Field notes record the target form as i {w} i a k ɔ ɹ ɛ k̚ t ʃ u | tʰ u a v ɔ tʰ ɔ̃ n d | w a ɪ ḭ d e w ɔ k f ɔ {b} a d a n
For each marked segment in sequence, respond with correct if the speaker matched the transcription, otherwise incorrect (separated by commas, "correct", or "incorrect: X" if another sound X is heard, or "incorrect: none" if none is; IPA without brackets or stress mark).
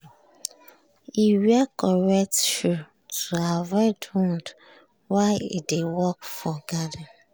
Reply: correct, incorrect: ɡ